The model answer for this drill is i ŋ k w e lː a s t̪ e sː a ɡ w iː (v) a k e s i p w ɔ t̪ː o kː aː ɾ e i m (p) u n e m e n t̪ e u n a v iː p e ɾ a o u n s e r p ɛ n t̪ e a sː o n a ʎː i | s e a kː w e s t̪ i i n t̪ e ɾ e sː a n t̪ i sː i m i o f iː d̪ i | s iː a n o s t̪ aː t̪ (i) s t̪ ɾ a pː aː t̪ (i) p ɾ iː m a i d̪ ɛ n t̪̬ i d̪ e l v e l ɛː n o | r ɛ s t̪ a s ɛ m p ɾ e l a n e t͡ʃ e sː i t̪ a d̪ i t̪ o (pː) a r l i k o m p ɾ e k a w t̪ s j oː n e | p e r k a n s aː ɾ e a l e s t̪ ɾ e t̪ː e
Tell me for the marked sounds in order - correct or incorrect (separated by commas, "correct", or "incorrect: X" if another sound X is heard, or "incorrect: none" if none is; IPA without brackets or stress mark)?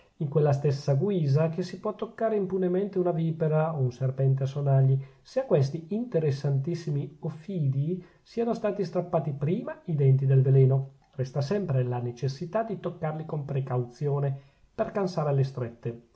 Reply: incorrect: z, correct, correct, correct, incorrect: kː